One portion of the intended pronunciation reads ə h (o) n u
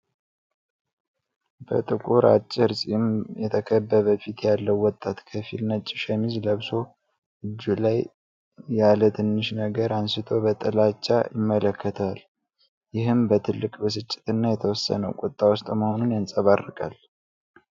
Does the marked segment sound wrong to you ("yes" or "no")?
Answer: no